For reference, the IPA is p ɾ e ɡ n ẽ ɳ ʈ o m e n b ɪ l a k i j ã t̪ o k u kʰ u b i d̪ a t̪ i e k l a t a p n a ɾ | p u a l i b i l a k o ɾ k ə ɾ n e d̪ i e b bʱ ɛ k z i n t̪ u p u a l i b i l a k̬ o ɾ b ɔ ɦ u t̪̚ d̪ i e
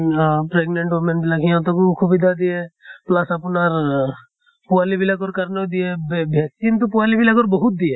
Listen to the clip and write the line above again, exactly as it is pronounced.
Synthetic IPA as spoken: p ɾ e ɡ n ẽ ɳ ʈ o m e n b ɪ l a k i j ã t̪ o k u kʰ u b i d̪ a d̪ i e p l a s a p n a ɾ | p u a l i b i l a k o ɾ k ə ɾ n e d̪ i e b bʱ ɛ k s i n t̪ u p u a l i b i l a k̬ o ɾ b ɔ ɦ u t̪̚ d̪ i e